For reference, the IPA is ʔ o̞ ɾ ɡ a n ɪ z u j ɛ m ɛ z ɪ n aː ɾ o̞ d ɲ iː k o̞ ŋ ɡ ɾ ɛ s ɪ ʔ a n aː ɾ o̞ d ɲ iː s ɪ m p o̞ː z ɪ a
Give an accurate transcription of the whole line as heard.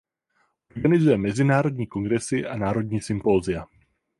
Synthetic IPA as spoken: ʔ o̞ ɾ ɡ a n ɪ z u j ɛ m ɛ z ɪ n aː ɾ o̞ d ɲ iː k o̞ ŋ ɡ ɾ ɛ s ɪ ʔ a n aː ɾ o̞ d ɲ iː s ɪ m p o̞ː z ɪ a